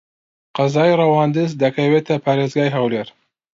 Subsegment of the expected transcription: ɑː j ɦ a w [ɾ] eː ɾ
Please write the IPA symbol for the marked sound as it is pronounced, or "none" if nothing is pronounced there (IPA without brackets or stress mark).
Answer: l